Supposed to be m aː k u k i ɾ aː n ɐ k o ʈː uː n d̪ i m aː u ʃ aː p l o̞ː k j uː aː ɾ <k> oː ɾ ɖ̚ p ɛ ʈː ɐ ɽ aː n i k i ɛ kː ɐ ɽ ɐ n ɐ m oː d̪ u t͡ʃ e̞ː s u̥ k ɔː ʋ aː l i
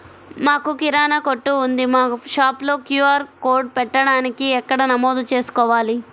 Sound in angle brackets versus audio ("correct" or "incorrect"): correct